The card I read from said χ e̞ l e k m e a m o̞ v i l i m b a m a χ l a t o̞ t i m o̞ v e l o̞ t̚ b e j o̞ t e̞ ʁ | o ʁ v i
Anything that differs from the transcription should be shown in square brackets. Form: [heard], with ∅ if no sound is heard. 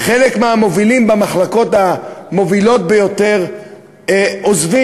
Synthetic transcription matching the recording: χ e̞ l e k m e a m o̞ v i l i m b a m a χ l a [k] o̞ t [a] m o̞ v [i] l o̞ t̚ b e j o̞ t e̞ ʁ | o [z] v i